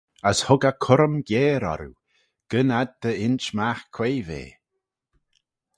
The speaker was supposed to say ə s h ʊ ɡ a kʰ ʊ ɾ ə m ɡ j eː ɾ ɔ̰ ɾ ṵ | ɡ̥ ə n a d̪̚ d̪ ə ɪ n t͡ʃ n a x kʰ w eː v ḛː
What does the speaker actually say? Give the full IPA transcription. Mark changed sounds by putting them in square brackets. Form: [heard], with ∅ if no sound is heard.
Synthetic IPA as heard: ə s h ʊ ɡ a kʰ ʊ ɾ ə m ɡ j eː ɾ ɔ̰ ɾ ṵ | ɡ̥ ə n a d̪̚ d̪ ə ɪ n t͡ʃ [m] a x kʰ w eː v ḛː